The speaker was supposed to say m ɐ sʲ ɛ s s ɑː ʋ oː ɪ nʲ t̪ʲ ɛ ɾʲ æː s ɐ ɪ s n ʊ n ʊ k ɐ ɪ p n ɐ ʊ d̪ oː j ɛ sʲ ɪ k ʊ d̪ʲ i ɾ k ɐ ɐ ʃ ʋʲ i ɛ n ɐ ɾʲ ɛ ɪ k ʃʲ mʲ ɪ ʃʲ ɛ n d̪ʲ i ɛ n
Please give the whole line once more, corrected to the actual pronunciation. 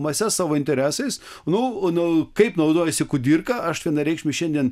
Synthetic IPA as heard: m ɐ sʲ ɛ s s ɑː ʋ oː ɪ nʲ t̪ʲ ɛ ɾʲ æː s ɐ ɪ s n ʊ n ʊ k ɐ ɪ p n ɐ ʊ d̪ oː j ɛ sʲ ɪ k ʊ d̪ʲ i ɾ k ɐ ɐ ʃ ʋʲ i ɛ n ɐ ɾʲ ɛ ɪ k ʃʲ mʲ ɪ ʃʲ ɛ n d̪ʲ i ɛ n

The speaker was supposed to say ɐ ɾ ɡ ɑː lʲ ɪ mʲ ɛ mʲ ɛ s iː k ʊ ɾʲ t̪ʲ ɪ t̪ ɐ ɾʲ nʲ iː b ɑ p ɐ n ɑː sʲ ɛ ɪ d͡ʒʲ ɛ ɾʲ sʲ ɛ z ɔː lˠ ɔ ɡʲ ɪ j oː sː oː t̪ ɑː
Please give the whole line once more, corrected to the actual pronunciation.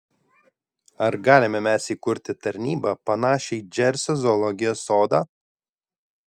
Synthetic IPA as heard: ɐ ɾ ɡ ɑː lʲ ɪ mʲ ɛ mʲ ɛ s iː k ʊ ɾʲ t̪ʲ ɪ t̪ ɐ ɾʲ nʲ iː b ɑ p ɐ n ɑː ʃʲ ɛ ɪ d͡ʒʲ ɛ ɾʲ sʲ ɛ z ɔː lˠ ɔ ɡʲ ɪ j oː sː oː d̪ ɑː

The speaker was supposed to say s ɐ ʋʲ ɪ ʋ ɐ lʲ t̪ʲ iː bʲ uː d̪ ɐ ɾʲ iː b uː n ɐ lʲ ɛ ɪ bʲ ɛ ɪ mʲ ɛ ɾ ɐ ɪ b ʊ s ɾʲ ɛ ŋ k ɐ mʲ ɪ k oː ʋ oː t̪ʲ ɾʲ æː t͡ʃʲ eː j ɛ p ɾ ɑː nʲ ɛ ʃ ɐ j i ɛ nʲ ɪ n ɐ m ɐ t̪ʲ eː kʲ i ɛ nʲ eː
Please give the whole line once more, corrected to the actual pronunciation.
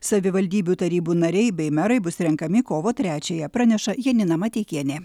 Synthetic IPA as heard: s ɐ ʋʲ ɪ ʋ ɐ lʲ d̪ʲ iː bʲ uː t̪ ɐ ɾʲ iː b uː n ɐ ɾʲ ɛ ɪ bʲ ɛ ɪ mʲ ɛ ɾ ɐ ɪ b ʊ s ɾʲ ɛ ŋ k ɐ mʲ ɪ k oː ʋ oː t̪ʲ ɾʲ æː t͡ʃʲ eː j ɛ p ɾ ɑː nʲ ɛ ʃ ɐ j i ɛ nʲ ɪ n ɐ m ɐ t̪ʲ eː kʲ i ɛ nʲ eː

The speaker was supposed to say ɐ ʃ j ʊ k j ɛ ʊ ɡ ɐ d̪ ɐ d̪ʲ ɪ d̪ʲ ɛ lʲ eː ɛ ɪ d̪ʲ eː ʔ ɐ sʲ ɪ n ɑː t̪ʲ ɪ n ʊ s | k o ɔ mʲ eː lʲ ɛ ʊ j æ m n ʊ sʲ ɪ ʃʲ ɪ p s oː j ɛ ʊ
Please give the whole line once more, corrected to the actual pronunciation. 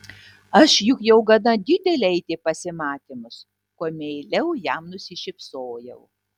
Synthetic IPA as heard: ɐ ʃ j ʊ k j ɛ ʊ ɡ ɐ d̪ ɐ d̪ʲ ɪ d̪ʲ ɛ lʲ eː ɛ ɪ t̪ʲ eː p ɐ sʲ ɪ m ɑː t̪ʲ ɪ m ʊ s | k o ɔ mʲ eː lʲ ɛ ʊ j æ m n ʊ sʲ ɪ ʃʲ ɪ p s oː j ɛ ʊ

